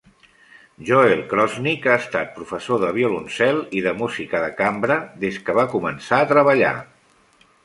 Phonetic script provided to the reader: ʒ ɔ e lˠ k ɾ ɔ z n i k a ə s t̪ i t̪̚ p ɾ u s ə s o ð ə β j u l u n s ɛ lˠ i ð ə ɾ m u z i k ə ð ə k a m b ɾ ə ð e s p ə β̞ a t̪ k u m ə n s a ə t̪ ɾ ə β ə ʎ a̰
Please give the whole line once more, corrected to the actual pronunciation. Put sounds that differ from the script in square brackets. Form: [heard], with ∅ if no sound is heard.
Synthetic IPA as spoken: ʒ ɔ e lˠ k ɾ ɔ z n i k a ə s t̪ [a] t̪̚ p ɾ u [f] ə s o ð ə β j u l u n s ɛ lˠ i ð ə [∅] m u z i k ə ð ə k a m b ɾ ə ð e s [k] ə β̞ a [∅] k u m ə n s a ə t̪ ɾ ə β ə ʎ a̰